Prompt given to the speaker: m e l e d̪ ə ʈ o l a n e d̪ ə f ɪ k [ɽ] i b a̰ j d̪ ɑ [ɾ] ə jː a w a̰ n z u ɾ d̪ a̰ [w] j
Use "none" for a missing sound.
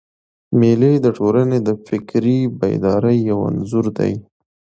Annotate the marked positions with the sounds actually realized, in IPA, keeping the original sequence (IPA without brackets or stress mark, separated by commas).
ɾ, ɾ, none